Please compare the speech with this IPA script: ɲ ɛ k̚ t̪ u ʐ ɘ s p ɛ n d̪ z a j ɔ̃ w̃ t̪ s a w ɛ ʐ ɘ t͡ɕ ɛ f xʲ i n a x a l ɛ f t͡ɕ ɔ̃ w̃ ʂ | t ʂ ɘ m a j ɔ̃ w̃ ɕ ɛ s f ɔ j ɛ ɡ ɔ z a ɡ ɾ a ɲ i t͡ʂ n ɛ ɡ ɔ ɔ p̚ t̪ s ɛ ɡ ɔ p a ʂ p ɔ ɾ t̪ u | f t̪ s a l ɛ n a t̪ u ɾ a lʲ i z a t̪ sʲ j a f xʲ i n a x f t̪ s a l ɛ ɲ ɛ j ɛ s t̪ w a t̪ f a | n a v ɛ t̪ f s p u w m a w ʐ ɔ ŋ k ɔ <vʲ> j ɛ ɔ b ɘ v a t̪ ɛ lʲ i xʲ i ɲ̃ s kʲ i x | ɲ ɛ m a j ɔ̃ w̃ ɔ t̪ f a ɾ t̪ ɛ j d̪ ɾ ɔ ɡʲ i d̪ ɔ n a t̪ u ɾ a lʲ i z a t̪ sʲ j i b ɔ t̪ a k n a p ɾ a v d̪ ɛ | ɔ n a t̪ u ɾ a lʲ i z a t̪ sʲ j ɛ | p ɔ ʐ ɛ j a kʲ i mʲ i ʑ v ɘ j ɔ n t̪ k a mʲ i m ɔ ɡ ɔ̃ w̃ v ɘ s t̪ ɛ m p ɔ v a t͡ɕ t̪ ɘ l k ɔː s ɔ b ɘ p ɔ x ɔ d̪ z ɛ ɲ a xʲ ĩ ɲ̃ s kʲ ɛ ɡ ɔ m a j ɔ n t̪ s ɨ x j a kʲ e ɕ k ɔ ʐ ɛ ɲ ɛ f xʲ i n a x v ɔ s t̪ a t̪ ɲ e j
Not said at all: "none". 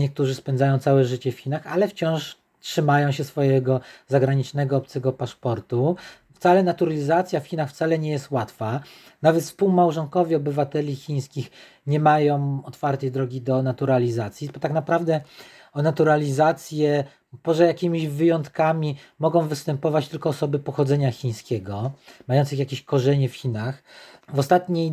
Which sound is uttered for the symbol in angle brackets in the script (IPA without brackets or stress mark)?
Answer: vʲ